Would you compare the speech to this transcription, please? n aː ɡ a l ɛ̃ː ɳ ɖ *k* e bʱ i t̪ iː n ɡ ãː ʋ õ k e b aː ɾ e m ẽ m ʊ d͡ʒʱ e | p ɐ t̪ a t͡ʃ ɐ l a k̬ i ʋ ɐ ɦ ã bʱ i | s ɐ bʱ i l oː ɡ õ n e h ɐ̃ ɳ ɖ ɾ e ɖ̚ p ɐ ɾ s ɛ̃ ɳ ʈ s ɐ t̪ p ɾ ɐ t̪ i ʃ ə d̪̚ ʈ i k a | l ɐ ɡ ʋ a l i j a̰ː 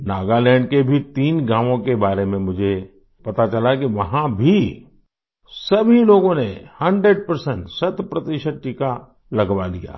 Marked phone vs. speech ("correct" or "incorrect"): correct